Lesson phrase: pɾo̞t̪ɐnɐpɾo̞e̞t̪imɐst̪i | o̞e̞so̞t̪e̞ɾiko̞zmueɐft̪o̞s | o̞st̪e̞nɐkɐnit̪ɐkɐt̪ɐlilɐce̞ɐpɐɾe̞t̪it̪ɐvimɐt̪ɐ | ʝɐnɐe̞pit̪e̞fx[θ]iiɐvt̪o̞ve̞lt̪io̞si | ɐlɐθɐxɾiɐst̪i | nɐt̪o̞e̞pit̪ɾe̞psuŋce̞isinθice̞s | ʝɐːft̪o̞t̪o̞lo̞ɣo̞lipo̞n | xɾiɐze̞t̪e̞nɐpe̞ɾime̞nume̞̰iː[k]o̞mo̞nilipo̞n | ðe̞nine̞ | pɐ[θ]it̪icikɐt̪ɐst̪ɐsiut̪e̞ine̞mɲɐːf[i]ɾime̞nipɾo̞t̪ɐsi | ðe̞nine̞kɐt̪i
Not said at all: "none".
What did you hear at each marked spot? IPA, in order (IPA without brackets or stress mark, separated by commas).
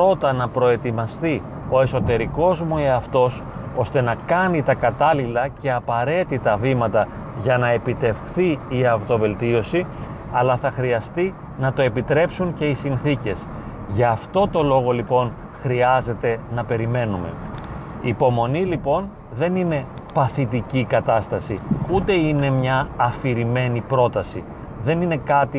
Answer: θ, p, θ, i